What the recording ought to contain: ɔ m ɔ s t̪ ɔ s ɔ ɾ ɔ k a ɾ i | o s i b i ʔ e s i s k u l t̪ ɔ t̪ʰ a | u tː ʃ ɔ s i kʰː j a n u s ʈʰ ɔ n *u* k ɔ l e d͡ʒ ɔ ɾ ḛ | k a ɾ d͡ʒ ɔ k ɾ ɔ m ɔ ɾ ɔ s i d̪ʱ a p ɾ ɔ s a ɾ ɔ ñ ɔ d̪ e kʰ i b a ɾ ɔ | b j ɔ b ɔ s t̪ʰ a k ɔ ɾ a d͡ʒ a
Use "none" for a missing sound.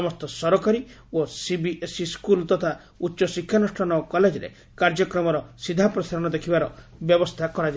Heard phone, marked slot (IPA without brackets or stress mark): ɔ